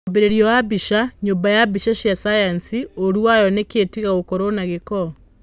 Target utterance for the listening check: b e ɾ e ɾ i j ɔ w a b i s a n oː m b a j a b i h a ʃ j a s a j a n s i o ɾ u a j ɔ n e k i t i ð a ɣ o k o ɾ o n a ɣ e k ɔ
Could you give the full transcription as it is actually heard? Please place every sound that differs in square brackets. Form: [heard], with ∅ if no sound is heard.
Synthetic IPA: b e ɾ e ɾ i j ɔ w a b i [ʃ] a [ɲ] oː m b a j a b i [ʃ] a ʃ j a s a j a n s i o ɾ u a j ɔ n e k [e] t i [ɣ] a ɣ o k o ɾ o n a ɣ e k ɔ

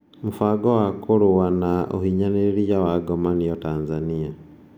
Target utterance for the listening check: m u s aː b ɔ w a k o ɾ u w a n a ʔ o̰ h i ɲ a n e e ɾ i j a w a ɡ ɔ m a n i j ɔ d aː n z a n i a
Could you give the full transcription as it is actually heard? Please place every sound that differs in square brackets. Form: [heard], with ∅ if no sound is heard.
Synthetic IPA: m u [f] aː [ɡ] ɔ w a k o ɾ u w a n a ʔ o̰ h i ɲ a n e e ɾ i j a w a ɡ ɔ m a n i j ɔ [t] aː n z a n i a

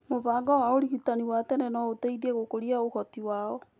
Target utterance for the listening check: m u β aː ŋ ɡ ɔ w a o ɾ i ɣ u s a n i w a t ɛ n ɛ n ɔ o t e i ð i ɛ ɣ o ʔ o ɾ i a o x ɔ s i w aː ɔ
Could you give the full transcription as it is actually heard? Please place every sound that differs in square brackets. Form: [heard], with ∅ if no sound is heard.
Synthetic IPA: m [o] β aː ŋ ɡ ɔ w a o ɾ i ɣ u [t] a n i w a t ɛ n ɛ n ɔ o t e i ð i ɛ ɣ o [k] o ɾ i a o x ɔ [t] i w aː ɔ

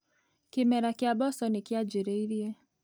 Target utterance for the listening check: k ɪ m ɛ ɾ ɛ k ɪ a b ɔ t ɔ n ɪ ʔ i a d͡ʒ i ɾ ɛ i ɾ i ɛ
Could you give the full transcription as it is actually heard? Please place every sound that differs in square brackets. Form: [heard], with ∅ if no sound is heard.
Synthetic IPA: k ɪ m ɛ ɾ [a] k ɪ a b ɔ [s] ɔ n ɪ [k] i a d͡ʒ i ɾ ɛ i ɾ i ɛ

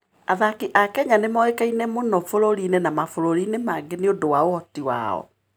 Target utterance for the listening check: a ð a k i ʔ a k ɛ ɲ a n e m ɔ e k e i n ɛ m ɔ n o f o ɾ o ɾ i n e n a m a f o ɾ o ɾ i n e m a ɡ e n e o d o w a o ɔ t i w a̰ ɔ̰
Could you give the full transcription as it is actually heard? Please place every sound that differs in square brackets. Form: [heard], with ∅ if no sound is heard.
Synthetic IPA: a ð a k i ʔ a k ɛ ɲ a n e m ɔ e k [a] i n ɛ m [o] n [ɔ] f o ɾ o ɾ i n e n a m a f o ɾ o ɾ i n e m a ɡ e n e o d o w a o ɔ t i w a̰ ɔ̰

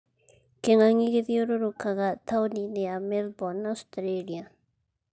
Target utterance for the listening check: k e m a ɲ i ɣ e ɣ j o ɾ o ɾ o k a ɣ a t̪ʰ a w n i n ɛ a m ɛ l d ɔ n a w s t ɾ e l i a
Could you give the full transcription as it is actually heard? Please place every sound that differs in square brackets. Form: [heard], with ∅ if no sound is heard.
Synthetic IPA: k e [ŋ] a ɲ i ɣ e [ð] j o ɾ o ɾ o k a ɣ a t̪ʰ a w n i n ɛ a m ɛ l [b] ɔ n a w s t ɾ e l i a

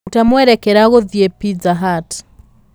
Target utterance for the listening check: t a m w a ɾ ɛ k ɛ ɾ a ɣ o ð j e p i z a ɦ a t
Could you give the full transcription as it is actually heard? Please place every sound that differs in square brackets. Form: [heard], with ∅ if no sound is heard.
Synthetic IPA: t a m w [ɛ] ɾ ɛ k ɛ ɾ a ɣ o ð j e p i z a ɦ a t

